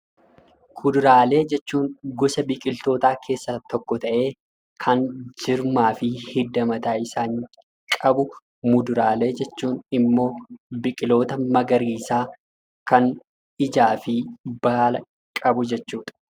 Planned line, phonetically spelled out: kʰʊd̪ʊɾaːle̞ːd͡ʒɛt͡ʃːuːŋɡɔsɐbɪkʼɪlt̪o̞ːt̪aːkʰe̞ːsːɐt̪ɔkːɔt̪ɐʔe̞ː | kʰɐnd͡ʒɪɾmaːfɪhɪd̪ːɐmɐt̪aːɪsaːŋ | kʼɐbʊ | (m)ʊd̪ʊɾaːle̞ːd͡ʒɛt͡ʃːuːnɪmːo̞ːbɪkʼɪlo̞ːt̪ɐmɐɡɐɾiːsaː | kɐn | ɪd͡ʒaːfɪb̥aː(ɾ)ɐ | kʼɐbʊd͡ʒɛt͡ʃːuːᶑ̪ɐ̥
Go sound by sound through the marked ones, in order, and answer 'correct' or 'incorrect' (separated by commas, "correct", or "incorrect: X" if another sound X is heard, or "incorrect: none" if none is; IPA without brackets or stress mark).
correct, incorrect: l